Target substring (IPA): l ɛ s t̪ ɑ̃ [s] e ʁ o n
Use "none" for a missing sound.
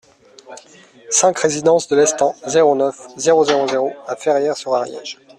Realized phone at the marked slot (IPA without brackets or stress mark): z